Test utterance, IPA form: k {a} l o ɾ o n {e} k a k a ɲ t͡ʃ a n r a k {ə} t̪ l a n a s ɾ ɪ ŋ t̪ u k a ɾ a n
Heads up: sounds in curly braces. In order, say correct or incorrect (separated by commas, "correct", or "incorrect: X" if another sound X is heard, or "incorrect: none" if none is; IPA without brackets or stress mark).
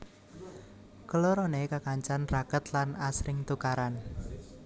incorrect: ə, correct, correct